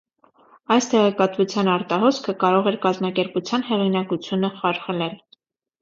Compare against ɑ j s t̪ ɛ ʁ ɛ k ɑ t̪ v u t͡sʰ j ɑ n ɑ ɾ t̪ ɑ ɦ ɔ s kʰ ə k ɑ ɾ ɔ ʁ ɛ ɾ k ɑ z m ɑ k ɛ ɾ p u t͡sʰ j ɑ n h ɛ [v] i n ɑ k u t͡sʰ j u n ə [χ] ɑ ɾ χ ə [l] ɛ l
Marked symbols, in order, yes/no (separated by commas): no, yes, yes